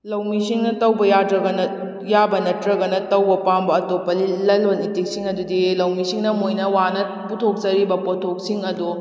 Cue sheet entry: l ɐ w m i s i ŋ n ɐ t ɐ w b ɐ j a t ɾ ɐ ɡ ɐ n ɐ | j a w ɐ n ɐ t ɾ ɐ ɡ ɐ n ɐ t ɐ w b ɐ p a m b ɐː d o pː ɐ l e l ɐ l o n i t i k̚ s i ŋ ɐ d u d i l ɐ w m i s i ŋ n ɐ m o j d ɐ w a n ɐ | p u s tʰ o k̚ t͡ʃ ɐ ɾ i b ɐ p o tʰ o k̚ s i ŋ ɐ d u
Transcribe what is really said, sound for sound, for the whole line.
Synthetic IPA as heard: l ɐ w m i s i ŋ n ɐ t ɐ w b ɐ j a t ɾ ɐ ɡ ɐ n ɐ | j a b ɐ n ɐ t ɾ ɐ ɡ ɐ n ɐ t ɐ w b ɐ p a m b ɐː t o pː ɐ l i l ɐ l o n i t i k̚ s i ŋ ɐ d u d i l ɐ w m i s i ŋ n ɐ m o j n ɐ w a n ɐ | p u tʰ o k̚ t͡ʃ ɐ ɾ i b ɐ p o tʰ o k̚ s i ŋ ɐ d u